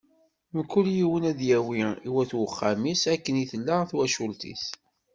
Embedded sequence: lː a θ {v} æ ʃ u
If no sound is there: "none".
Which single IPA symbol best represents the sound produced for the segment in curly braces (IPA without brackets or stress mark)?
w